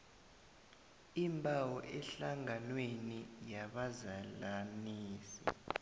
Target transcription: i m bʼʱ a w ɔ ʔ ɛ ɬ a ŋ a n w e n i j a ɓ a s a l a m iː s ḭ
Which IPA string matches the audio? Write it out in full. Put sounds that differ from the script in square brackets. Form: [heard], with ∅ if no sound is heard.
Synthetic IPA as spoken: i m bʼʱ a w ɔ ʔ ɛ ɬ a ŋ a n w e n i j a ɓ a [z] a l a [n] iː s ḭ